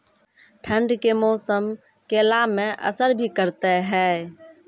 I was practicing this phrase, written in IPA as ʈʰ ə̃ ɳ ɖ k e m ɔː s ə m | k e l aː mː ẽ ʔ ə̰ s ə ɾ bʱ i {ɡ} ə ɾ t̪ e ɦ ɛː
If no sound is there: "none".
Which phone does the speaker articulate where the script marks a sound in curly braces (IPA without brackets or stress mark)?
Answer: k